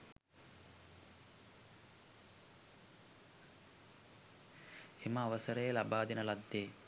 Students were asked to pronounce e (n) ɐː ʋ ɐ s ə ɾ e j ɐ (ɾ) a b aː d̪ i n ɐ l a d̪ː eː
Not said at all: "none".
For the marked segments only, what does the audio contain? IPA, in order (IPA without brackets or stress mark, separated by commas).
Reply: m, l